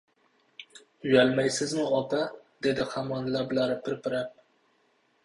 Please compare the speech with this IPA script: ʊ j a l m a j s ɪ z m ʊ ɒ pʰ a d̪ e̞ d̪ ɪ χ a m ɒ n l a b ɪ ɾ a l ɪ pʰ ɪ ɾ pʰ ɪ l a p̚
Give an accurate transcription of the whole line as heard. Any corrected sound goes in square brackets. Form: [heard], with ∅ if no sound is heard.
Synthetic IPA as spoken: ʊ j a l m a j s ɪ z m ʊ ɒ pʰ a d̪ e̞ d̪ ɪ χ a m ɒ n l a b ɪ [l] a [ɾ] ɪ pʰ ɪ ɾ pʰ ɪ [ɾ] a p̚